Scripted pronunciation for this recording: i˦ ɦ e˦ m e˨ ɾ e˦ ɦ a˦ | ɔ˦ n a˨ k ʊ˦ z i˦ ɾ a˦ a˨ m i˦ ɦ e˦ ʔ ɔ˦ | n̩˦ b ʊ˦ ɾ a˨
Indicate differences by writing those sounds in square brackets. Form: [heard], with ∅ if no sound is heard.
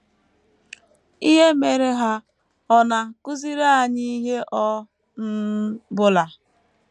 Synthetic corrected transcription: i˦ ɦ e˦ m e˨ ɾ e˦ ɦ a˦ | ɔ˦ n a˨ k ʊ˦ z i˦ ɾ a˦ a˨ [ɲ] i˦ ɦ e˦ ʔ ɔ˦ | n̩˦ b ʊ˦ [l] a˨